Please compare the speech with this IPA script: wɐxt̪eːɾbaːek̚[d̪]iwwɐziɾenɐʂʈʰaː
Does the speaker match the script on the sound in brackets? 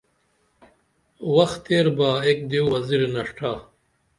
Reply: yes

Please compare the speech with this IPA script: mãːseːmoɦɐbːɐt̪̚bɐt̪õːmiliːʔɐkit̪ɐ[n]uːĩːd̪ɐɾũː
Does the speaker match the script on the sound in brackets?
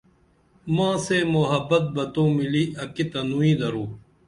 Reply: yes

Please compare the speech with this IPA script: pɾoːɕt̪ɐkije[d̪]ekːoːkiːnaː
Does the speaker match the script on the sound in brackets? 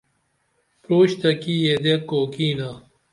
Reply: yes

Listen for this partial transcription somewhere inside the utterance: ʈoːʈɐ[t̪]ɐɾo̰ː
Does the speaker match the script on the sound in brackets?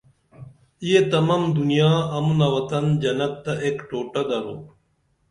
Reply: no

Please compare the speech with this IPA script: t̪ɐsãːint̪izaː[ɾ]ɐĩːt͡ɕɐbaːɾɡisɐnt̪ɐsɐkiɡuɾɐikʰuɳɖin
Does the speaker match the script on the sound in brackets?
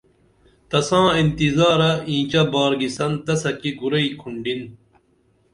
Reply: yes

